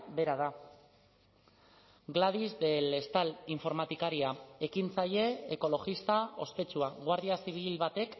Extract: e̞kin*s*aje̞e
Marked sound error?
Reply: yes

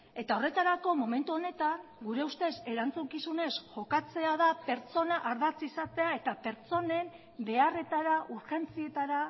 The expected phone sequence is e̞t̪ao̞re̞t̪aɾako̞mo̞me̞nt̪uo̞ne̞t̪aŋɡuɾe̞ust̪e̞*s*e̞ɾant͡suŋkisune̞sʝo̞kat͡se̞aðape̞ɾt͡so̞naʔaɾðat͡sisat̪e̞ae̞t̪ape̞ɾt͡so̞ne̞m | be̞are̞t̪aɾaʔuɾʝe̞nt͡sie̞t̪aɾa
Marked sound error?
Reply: no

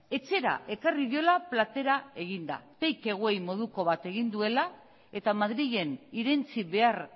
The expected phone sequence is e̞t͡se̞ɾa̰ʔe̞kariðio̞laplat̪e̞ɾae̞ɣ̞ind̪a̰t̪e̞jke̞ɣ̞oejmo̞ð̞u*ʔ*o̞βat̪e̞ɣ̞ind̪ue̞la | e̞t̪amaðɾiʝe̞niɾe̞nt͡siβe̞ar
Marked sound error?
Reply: yes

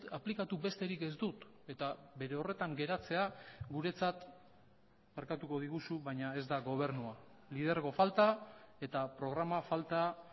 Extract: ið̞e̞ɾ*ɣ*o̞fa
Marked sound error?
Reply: no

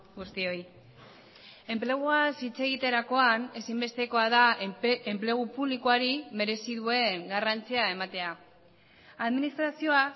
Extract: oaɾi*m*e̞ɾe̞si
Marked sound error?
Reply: no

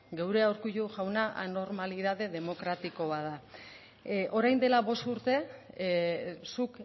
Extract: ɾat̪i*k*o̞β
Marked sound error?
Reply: no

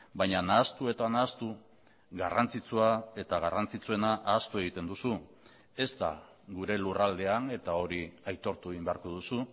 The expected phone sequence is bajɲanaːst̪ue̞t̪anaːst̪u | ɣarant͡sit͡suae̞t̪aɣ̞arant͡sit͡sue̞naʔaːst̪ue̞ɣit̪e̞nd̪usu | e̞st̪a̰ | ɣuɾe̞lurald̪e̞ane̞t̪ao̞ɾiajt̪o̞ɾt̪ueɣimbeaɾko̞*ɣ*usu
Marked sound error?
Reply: yes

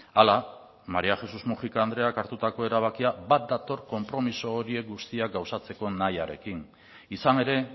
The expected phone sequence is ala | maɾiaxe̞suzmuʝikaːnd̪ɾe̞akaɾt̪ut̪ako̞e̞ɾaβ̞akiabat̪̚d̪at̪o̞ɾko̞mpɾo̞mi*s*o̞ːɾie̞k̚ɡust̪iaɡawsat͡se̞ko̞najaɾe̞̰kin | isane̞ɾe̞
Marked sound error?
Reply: no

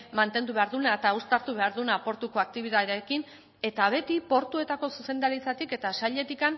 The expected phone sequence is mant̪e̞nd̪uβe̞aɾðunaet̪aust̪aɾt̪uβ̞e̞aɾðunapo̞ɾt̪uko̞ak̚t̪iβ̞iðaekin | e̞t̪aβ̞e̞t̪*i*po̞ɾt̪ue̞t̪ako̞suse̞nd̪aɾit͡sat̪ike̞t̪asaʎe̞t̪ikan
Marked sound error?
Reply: no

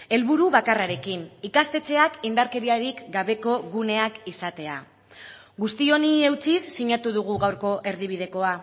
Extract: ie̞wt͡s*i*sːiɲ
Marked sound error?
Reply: no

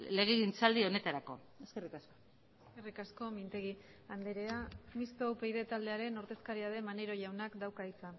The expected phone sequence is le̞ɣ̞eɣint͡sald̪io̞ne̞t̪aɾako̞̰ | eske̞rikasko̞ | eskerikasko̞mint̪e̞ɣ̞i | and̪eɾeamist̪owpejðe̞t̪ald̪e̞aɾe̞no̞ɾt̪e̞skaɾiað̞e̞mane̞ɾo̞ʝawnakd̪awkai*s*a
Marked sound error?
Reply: yes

